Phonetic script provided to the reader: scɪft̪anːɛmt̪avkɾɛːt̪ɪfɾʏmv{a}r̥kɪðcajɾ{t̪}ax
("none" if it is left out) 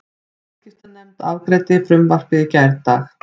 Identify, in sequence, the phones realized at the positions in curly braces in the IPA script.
a, t̪

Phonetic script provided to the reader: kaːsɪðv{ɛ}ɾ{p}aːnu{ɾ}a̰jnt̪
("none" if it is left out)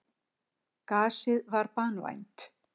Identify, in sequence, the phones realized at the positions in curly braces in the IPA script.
a, p, none

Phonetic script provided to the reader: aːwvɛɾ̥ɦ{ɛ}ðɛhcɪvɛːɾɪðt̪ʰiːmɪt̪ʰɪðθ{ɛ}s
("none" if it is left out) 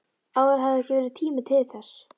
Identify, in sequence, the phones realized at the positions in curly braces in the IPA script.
a, ɛ

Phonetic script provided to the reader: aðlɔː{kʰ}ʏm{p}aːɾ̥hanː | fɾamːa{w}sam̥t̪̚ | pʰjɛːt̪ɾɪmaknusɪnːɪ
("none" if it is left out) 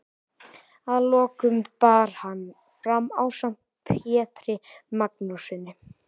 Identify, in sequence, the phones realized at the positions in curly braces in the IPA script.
k, p, w

